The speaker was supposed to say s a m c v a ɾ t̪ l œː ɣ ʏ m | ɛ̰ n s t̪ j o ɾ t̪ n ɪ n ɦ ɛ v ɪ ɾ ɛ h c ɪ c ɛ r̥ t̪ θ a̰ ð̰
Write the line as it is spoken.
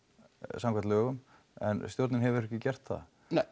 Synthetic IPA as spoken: s a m k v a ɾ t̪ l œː ɣ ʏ m | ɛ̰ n s t̪ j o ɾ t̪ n ɪ n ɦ ɛ v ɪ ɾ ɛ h c ɪ c ɛ r̥ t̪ θ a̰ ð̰